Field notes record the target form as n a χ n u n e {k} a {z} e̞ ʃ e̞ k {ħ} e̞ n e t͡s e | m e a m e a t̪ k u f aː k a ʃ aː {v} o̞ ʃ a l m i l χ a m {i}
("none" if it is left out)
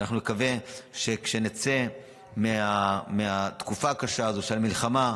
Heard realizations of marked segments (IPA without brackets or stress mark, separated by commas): k, v, ʃ, z, a